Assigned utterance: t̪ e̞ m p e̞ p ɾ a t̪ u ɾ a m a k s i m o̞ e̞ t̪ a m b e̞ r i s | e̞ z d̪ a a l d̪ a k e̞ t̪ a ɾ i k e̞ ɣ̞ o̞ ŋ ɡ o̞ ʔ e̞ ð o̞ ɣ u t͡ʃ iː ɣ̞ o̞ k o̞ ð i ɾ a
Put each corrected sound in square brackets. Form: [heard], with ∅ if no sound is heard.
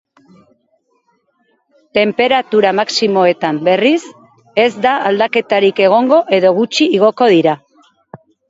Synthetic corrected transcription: t̪ e̞ m p e̞ [∅] ɾ a t̪ u ɾ a m a k s i m o̞ e̞ t̪ a m b e̞ r i s | e̞ z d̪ a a l d̪ a k e̞ t̪ a ɾ i k e̞ ɣ̞ o̞ ŋ ɡ o̞ ʔ e̞ ð o̞ ɣ u t͡ʃ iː ɣ̞ o̞ k o̞ ð i ɾ a